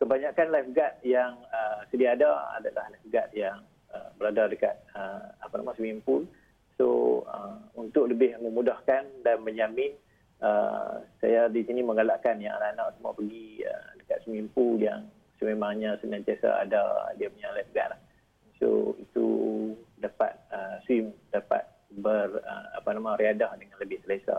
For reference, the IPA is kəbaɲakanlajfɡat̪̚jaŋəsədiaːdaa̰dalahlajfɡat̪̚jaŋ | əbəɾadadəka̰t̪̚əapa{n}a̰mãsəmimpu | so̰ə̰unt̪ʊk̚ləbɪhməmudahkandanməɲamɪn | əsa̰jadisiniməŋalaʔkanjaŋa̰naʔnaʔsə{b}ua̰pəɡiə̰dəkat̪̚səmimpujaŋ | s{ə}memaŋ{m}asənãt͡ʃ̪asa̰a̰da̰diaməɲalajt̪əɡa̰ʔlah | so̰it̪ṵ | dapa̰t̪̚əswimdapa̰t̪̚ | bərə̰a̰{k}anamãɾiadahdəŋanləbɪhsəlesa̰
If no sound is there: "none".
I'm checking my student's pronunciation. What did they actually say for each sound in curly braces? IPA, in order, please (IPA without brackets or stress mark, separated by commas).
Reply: n, m, ə, ɲ, p